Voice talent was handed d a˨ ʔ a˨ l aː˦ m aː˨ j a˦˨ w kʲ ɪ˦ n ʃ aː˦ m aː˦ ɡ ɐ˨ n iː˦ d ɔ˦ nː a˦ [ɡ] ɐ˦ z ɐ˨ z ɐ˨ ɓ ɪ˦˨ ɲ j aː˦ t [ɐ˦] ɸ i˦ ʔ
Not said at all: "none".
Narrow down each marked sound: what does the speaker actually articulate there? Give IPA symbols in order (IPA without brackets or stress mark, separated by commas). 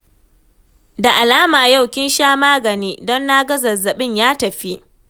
ɡ, ɐ˨